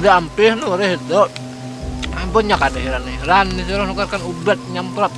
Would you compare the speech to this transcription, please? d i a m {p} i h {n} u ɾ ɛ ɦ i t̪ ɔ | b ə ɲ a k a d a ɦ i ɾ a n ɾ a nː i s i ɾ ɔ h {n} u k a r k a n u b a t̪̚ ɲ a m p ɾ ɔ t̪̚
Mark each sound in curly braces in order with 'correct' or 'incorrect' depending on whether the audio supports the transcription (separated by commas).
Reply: correct, correct, correct